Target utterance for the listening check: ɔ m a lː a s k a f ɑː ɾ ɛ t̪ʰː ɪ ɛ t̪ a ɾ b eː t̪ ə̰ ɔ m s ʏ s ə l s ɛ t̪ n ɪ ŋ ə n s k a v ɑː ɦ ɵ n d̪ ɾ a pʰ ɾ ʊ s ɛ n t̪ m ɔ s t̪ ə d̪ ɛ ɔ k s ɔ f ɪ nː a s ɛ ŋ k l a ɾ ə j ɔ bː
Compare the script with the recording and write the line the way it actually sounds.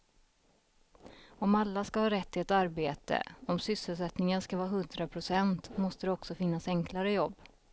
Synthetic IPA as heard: ɔ m a lː a s k a h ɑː ɾ ɛ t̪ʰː ɪ ɛ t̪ a ɾ b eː t̪ ə̰ ɔ m s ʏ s ə l s ɛ t̪ n ɪ ŋ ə n s k a v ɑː ɦ ɵ n d̪ ɾ a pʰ ɾ ʊ s ɛ n t̪ m ɔ s t̪ ə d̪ ɛ ɔ k s ɔ f ɪ nː a s ɛ ŋ k l a ɾ ə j ɔ bː